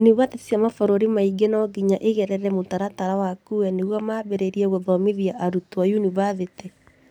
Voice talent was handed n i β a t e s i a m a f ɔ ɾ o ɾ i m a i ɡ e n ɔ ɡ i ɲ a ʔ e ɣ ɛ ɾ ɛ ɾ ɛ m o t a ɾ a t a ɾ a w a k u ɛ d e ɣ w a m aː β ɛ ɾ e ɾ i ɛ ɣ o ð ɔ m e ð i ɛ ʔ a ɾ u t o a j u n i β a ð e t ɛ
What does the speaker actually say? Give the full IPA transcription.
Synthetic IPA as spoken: n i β a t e s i a m a f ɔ ɾ o ɾ i m a i ɡ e n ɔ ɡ i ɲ a ʔ e ɣ ɛ ɾ ɛ ɾ ɛ m o t a ɾ a t a ɾ a w a k u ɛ n e ɣ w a m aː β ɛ ɾ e ɾ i ɛ ɣ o ð ɔ m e ð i a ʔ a ɾ u t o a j u n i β a ð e t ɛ